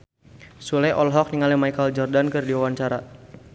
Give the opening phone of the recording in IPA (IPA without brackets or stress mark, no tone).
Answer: s